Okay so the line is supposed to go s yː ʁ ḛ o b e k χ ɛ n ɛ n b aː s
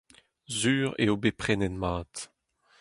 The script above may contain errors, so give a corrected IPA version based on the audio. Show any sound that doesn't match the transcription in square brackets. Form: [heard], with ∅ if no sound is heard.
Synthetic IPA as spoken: [z] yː ʁ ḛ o b e [p] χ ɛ n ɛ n [m] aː [t]